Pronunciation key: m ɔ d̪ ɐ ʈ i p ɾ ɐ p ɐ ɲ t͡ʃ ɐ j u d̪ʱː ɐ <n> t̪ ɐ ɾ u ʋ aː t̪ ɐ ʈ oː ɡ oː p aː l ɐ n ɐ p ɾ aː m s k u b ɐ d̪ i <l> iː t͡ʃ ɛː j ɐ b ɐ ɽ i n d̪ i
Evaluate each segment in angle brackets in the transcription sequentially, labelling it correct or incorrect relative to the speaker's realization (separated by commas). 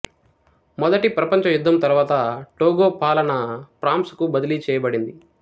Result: incorrect, correct